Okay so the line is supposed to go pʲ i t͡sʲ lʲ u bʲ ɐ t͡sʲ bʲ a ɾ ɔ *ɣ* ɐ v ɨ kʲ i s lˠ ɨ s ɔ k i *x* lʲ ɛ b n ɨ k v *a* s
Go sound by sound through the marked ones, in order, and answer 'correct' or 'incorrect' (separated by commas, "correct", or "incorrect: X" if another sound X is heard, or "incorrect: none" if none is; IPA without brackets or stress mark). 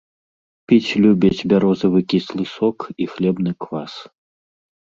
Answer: incorrect: z, correct, correct